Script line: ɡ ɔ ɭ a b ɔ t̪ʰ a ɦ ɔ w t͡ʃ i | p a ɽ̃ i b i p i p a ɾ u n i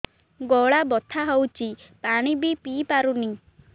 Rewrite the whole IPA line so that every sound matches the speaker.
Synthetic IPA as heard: ɡ ɔ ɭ a b ɔ t̪ʰ a ɦ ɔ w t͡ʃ i | p a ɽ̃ i b i p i p a ɾ u n i